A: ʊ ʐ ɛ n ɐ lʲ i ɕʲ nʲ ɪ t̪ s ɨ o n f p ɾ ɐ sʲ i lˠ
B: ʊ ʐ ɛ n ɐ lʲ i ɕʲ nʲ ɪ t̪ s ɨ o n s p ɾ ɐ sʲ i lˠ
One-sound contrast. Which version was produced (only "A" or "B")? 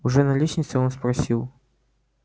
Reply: B